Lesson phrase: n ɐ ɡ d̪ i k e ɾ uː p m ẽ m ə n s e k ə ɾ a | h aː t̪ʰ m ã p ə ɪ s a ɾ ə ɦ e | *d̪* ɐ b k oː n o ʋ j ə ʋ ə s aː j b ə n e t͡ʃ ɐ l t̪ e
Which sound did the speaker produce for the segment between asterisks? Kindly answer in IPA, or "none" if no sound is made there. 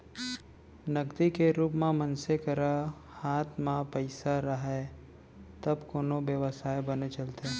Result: t̪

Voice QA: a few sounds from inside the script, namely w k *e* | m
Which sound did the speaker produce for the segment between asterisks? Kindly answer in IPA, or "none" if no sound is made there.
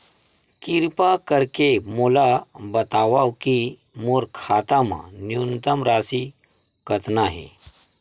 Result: i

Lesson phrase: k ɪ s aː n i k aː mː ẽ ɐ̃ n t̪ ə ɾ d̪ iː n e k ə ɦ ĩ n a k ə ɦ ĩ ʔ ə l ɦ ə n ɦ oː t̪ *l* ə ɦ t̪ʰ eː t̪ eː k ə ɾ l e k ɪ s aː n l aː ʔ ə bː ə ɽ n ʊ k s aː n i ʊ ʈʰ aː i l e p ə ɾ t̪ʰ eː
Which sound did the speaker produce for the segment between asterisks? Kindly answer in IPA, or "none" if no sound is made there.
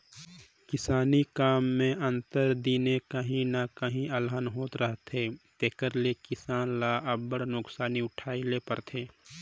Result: ɾ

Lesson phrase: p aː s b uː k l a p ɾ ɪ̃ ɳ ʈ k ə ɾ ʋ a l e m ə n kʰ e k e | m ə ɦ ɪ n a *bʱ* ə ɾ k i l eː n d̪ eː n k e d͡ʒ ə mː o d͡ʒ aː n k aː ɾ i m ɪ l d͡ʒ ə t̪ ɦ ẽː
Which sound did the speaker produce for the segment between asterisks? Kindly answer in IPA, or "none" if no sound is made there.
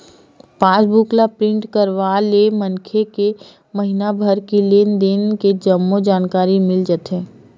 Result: bʱ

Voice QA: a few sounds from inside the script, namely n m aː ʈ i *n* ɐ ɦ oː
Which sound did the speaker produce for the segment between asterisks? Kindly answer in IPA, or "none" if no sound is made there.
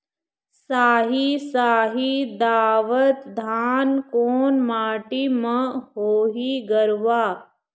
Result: m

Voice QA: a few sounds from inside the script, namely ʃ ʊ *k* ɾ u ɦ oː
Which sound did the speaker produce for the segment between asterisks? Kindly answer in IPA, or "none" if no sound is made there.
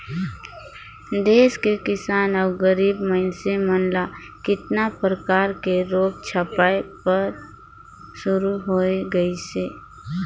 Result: none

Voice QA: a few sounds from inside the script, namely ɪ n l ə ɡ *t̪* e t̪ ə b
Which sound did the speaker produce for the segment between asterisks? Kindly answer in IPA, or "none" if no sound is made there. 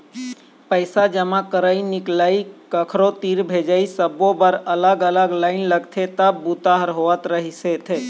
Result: t̪ʰ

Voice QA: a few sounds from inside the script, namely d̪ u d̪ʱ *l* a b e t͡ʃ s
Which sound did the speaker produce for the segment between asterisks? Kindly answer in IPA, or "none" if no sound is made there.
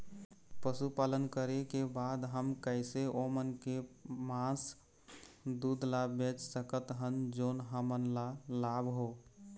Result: l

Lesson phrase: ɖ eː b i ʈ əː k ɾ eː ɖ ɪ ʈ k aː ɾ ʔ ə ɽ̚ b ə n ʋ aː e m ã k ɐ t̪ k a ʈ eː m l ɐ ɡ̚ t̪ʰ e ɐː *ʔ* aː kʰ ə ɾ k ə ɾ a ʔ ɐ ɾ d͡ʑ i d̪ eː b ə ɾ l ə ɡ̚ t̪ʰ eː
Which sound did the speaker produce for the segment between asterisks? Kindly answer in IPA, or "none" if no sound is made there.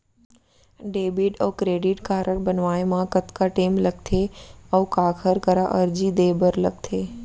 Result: k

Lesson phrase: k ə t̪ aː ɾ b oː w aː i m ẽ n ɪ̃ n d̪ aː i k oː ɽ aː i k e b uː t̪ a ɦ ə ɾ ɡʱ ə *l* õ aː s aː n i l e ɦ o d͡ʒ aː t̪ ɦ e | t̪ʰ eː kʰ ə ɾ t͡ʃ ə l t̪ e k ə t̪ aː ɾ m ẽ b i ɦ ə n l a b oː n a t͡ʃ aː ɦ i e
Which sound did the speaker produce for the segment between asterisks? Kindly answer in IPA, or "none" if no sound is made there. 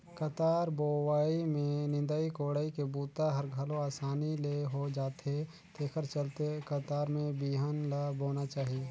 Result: l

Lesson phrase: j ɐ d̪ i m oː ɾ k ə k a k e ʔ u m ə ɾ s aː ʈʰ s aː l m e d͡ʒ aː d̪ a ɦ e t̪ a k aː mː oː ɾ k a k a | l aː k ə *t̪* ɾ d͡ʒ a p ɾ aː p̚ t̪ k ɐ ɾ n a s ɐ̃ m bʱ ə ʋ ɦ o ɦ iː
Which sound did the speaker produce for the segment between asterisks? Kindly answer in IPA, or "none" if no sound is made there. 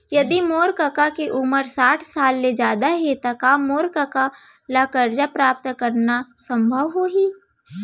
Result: none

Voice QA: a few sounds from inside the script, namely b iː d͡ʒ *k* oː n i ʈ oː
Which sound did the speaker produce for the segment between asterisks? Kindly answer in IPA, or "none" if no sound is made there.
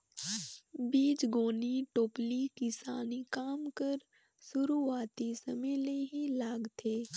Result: ɡ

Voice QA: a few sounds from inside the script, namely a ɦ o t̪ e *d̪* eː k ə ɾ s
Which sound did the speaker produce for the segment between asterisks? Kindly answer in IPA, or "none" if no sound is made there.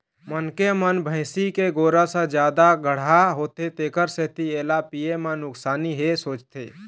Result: t̪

